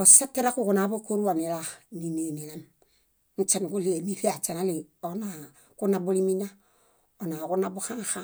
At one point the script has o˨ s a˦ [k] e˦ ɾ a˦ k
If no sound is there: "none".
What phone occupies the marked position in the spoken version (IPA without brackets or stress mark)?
t